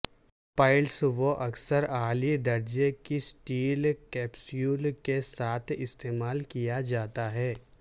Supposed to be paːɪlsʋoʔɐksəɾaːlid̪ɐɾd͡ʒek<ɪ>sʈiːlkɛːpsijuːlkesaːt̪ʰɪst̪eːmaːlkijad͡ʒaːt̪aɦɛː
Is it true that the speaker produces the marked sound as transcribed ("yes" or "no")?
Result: no